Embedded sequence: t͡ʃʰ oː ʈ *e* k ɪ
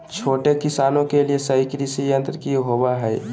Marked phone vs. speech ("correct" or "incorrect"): correct